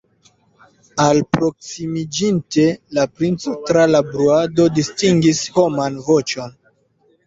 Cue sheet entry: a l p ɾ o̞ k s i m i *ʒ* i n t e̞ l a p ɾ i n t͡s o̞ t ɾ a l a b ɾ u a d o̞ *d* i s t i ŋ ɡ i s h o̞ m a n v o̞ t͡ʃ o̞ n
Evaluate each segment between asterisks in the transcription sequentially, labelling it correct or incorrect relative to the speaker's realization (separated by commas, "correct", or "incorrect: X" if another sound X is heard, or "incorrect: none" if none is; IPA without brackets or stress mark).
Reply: incorrect: d͡ʒ, correct